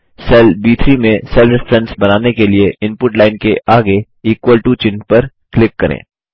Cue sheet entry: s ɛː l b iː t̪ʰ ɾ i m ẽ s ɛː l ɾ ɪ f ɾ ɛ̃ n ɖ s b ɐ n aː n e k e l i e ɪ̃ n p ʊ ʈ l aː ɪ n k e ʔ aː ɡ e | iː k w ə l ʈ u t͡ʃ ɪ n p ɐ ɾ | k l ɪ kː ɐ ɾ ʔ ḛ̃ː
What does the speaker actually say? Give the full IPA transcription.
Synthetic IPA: s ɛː l b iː t̪ʰ ɾ i m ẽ s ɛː l ɾ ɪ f ɾ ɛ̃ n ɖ s b ɐ n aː n e k e l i e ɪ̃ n p ʊ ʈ l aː ɪ n k e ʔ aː ɡ e | iː k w ə l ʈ u t͡ʃ ɪ n p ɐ ɾ | k l ɪ kː ɐ ɾ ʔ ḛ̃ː